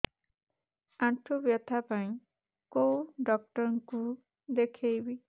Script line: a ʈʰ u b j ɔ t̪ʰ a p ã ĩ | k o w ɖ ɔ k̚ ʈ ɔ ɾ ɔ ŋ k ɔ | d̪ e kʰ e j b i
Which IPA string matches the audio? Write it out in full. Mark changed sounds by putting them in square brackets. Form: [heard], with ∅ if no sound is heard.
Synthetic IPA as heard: a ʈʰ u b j ɔ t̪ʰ a p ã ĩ | k o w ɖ ɔ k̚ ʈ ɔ ɾ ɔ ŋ k [u] | d̪ e kʰ e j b i